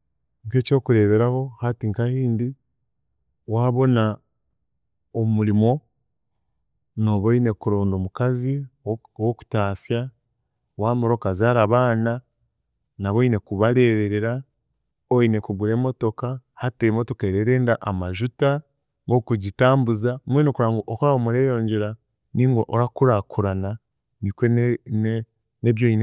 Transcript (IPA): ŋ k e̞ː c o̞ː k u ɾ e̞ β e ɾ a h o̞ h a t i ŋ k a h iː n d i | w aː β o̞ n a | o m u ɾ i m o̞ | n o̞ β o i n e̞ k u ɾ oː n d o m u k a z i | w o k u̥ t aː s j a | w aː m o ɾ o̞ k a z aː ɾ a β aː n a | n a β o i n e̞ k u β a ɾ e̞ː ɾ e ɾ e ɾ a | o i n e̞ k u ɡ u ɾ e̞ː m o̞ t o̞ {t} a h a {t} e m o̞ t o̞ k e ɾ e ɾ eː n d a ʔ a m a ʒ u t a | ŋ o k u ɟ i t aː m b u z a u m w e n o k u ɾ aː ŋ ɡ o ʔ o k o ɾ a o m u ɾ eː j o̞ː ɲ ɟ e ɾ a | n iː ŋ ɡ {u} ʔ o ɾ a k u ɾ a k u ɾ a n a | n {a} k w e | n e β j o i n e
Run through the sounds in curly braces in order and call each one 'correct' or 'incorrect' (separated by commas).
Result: incorrect, correct, incorrect, incorrect